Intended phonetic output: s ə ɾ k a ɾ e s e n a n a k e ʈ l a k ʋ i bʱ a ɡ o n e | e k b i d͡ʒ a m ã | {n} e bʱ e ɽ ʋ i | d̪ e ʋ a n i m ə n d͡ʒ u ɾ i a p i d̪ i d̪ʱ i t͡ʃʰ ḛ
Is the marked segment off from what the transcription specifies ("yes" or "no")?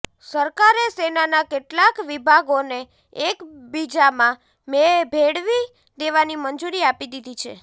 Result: yes